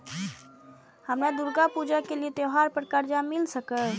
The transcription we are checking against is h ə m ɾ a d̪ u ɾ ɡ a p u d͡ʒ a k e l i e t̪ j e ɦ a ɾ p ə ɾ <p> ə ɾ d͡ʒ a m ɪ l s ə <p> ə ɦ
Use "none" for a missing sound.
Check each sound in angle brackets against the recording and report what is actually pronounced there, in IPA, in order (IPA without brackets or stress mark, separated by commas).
k, k